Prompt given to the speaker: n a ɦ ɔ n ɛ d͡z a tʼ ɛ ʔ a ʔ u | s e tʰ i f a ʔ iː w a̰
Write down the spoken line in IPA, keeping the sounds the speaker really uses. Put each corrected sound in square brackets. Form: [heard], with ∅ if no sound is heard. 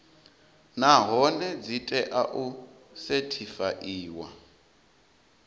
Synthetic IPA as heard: n a ɦ ɔ n ɛ d͡z [i] tʼ ɛ ʔ a ʔ u | s e tʰ i f a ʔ iː w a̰

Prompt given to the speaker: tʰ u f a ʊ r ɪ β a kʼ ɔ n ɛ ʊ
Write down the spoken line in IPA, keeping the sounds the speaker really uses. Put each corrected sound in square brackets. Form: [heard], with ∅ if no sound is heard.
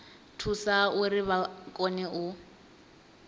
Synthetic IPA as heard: tʰ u [s] a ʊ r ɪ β a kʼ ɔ n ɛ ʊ

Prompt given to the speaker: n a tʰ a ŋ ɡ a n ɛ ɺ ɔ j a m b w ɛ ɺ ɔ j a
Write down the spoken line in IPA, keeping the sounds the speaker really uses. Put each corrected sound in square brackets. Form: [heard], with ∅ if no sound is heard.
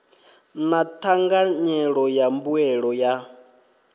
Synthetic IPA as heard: n a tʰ a ŋ ɡ a [ɲ] ɛ ɺ ɔ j a m b [u] ɛ ɺ ɔ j a

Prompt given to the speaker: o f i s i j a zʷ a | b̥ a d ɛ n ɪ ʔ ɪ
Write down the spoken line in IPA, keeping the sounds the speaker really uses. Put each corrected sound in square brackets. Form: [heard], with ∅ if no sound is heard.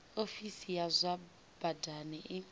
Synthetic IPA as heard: o f i s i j a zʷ a | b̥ a d [a] n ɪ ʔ ɪ

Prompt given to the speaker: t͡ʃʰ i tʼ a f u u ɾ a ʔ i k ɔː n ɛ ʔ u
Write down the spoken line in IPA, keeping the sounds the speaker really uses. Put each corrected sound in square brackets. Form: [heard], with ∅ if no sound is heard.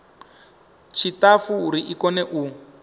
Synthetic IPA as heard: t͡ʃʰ i [t] a f u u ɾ [i] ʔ i k [ɔ] n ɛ ʔ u

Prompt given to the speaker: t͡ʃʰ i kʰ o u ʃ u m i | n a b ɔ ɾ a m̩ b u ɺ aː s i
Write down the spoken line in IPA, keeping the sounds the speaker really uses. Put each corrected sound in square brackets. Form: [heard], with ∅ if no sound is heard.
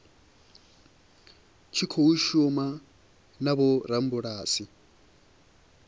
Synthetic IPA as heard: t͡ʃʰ i kʰ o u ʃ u m [a] | n a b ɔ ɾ a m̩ b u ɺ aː s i

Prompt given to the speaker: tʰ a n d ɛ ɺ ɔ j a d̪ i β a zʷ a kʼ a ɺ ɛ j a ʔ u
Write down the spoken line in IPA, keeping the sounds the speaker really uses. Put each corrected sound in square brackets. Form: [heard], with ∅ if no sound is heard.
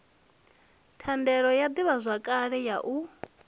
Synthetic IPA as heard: tʰ a n d ɛ ɺ ɔ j a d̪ i β a zʷ a kʼ a ɺ ɛ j a ʔ u

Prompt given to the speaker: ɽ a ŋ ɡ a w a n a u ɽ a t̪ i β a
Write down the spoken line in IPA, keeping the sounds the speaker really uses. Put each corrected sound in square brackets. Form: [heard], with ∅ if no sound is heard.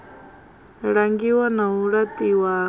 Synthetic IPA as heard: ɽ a ŋ ɡ [i] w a n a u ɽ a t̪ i [w] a

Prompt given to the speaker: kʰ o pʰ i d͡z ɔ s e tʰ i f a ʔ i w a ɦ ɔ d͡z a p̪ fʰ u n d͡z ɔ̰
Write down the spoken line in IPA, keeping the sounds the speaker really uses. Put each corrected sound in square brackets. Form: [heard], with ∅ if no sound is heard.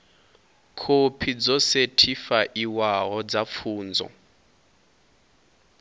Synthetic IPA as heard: kʰ o pʰ i d͡z ɔ s e tʰ i f a ʔ i w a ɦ ɔ d͡z a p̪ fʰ [uː] n d͡z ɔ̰

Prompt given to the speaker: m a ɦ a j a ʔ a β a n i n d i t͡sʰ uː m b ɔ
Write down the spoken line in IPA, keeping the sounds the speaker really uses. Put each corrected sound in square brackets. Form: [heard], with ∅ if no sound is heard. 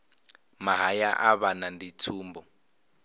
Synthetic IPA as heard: m a ɦ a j a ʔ a β a n [a] n d i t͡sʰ uː m b ɔ

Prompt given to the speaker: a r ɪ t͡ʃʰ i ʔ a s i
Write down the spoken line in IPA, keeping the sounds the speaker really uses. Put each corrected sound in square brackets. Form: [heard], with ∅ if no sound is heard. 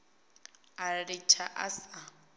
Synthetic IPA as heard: a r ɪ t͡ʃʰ [a] ʔ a s [a]

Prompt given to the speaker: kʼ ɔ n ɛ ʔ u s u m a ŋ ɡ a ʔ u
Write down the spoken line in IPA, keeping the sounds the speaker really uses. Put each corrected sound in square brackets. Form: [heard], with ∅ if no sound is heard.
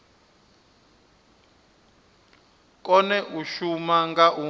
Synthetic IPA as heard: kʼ ɔ n ɛ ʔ u [ʃ] u m a ŋ ɡ a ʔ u

